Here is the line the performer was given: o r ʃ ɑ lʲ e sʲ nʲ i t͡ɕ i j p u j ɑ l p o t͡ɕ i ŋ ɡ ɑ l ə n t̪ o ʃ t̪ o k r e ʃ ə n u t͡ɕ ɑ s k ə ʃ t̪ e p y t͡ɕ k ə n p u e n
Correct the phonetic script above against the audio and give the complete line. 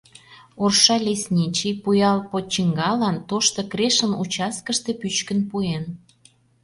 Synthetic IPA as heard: o r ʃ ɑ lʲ e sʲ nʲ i t͡ɕ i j p u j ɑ l p o t͡ɕ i ŋ ɡ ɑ l ɑ n t̪ o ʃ t̪ o k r e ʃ ə n u t͡ɕ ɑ s k ə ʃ t̪ e p y t͡ɕ k ə n p u e n